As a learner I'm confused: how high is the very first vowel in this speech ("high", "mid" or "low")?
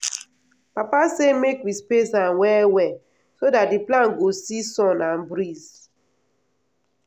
low